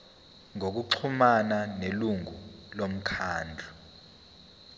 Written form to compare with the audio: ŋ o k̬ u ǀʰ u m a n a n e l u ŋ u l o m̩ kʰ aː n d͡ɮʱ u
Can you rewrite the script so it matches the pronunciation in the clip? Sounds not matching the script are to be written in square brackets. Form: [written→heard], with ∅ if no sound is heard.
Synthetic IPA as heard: ŋ o k̬ u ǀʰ u m a n a n e l u ŋ u l o m̩ kʰ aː n d͡ɮʱ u

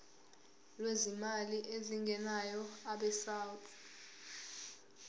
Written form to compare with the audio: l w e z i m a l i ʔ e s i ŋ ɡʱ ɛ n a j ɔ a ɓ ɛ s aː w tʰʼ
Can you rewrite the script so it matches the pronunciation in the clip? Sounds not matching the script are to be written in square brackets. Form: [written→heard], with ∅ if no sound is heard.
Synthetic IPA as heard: l w e z i m a l i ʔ e [s→z] i ŋ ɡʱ ɛ n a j ɔ a ɓ ɛ s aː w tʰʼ

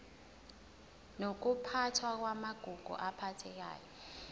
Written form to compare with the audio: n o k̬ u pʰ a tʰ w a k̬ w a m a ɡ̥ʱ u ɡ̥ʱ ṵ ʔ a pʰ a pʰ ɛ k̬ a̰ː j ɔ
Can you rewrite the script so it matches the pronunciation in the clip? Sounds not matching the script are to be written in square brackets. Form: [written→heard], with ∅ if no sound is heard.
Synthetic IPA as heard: n o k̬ u pʰ a tʰ w a k̬ w a m a ɡ̥ʱ u ɡ̥ʱ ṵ ʔ a pʰ a [pʰ→tʰ] ɛ k̬ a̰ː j ɔ

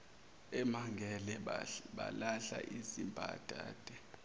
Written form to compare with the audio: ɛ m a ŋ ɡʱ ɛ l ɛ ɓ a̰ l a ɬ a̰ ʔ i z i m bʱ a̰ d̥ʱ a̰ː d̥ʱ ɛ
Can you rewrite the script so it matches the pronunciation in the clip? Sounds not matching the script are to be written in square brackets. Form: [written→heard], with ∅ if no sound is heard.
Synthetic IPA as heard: ɛ m a ŋ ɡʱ ɛ l ɛ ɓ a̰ l a ɬ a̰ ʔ i z i m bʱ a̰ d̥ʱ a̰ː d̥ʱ ɛ

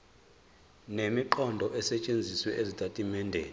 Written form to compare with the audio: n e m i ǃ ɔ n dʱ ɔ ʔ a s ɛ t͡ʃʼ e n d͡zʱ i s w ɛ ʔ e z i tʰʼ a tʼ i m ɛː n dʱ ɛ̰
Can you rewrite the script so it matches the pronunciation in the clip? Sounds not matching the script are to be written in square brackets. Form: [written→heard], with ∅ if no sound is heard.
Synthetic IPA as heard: n e m i ǃ ɔ n dʱ ɔ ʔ [a→ɛ] s ɛ t͡ʃʼ e n d͡zʱ i s w ɛ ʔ e z i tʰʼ a tʼ i m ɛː n dʱ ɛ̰

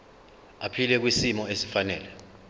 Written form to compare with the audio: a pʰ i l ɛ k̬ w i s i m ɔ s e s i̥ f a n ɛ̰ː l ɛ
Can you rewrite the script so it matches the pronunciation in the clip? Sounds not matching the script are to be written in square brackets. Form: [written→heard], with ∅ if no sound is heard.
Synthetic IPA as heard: a pʰ i l ɛ k̬ w i s i m ɔ [s→∅] e s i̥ f a n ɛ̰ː l ɛ

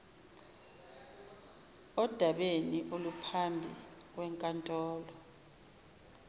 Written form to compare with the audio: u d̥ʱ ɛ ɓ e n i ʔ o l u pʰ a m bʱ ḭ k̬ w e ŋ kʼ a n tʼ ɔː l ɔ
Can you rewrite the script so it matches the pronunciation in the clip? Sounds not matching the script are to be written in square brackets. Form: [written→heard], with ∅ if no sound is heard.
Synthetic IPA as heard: [u→ɔ] d̥ʱ [ɛ→a] ɓ e n i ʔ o l u pʰ a m bʱ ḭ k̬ w [e→ɛ] ŋ kʼ a n tʼ ɔː l ɔ

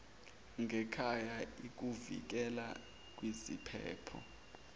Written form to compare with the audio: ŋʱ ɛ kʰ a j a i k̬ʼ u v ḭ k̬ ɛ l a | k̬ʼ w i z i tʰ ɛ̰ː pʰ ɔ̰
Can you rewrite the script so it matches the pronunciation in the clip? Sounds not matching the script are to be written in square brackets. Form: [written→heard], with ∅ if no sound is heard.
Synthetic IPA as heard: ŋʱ ɛ kʰ a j a i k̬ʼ u v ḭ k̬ ɛ l a | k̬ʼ w i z i [tʰ→pʰ] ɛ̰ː pʰ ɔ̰

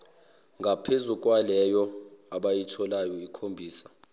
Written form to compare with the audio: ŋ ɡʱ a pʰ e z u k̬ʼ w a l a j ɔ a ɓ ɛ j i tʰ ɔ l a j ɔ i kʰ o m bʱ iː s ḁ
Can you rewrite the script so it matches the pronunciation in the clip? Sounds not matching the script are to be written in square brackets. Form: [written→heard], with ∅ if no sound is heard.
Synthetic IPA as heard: ŋ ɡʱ a pʰ e z u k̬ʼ w a l [a→ɛ] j ɔ a ɓ [ɛ→a] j i tʰ ɔ l a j ɔ i kʰ o m bʱ iː s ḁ

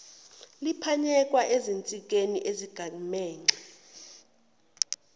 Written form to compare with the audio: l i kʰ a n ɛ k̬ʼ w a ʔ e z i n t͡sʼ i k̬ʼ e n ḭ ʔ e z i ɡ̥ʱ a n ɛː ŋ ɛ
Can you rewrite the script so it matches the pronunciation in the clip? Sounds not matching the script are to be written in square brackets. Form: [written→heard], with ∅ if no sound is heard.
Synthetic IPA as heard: l i [kʰ→pʰ] a [n→ɲ] ɛ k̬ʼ w a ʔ e z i n t͡sʼ i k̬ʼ e n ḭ ʔ e z i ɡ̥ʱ a [n→m] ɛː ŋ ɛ

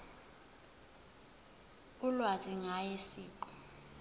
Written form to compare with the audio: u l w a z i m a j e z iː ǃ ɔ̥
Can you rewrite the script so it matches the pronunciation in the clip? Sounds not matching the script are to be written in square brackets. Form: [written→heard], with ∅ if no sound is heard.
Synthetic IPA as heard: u l w a z i [m→ŋ] a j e [z→s] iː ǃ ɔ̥

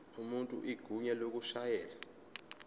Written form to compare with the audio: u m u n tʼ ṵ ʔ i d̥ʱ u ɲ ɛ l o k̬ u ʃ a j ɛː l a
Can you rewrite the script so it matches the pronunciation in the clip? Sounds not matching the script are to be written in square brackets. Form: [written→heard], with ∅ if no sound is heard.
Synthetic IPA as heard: u m u n tʼ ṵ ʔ i [d̥ʱ→ɡ̥ʱ] u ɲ ɛ l o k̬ u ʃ a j ɛː l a

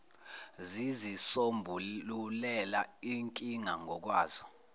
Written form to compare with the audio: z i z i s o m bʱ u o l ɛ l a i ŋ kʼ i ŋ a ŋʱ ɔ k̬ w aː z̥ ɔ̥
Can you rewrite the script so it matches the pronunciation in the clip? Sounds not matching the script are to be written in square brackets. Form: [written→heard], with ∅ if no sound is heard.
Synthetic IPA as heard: z i z i s o m bʱ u [o→u] l ɛ l a i ŋ kʼ i ŋ a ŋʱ ɔ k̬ w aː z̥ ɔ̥

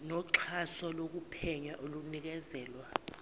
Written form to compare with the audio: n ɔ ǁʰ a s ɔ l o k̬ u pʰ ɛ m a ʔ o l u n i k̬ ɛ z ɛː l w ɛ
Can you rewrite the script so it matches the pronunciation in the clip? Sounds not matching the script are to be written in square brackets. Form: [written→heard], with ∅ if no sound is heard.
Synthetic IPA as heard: n ɔ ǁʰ a s ɔ l o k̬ u pʰ ɛ [m→ɲ] a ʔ o l u n i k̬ ɛ z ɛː l w [ɛ→a]

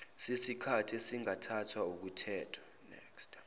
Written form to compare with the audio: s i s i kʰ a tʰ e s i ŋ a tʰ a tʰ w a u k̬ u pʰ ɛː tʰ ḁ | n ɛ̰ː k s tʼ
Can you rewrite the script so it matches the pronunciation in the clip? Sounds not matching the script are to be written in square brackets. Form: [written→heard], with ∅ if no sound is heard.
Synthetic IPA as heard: s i s i kʰ a tʰ e s i ŋ a tʰ a tʰ w a u k̬ u [pʰ→tʰ] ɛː tʰ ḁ | n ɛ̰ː k s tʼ

